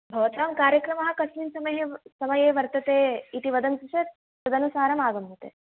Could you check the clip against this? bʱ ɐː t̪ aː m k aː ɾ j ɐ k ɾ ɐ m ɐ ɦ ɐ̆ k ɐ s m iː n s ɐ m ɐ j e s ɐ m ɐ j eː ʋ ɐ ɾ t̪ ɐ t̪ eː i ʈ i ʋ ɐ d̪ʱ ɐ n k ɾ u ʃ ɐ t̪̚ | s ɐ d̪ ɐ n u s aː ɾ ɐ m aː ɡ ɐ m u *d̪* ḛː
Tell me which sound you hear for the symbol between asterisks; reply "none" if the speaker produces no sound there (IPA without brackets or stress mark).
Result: t̪